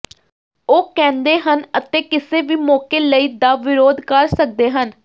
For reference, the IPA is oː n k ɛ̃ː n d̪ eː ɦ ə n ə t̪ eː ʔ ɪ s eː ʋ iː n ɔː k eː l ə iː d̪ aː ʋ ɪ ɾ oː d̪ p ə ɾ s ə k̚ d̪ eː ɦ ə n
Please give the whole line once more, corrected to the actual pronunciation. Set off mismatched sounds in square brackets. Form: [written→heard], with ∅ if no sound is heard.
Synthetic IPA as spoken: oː [n→∅] k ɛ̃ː n d̪ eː ɦ ə n ə t̪ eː [ʔ→k] ɪ s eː ʋ iː [n→m] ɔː k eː l ə iː d̪ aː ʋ ɪ ɾ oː d̪ [p→k] ə ɾ s ə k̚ d̪ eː ɦ ə n